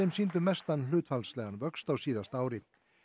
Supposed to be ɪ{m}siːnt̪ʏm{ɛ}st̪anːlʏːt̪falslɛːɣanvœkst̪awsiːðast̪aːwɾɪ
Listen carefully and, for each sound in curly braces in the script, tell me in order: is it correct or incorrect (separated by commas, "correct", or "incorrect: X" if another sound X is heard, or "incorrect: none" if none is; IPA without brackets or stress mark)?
correct, correct